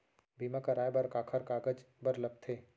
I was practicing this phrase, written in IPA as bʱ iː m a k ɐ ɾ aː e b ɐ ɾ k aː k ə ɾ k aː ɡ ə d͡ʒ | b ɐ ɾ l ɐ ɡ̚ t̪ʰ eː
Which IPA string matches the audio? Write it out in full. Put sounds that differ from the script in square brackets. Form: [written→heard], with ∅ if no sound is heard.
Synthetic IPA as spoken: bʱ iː m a k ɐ ɾ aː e b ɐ ɾ k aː [k→kʰ] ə ɾ k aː ɡ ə d͡ʒ | b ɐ ɾ l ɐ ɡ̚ t̪ʰ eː